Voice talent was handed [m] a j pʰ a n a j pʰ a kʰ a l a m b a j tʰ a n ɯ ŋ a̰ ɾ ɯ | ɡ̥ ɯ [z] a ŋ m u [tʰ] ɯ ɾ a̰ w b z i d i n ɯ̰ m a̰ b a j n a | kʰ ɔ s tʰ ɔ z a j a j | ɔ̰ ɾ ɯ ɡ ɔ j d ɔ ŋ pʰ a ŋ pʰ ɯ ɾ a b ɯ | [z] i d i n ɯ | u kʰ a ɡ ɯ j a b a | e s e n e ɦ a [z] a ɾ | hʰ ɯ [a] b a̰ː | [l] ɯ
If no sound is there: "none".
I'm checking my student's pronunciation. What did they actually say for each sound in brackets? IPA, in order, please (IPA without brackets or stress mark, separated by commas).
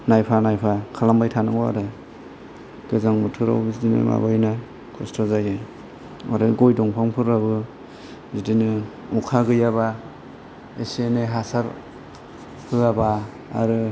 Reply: n, z, tʰ, z, s, a, ɾ